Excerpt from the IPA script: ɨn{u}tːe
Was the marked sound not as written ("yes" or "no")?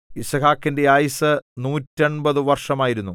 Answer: yes